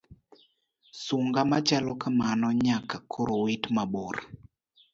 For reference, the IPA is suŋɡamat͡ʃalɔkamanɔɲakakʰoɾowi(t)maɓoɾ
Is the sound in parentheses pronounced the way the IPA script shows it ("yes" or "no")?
yes